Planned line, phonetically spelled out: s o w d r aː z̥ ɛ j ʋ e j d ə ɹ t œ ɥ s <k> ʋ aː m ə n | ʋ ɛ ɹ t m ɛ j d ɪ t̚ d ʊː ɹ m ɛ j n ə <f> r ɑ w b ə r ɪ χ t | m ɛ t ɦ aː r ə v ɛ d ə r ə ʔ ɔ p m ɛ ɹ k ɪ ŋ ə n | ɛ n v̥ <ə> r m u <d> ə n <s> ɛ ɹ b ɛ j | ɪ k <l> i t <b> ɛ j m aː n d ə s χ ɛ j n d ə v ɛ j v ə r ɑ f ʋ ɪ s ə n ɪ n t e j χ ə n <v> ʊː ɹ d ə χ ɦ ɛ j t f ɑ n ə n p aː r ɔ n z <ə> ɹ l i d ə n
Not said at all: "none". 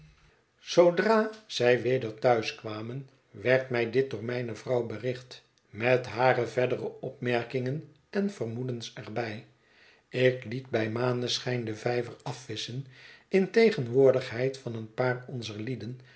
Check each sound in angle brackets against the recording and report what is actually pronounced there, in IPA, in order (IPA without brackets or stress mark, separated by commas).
k, v, ə, d, s, l, b, ʋ, ə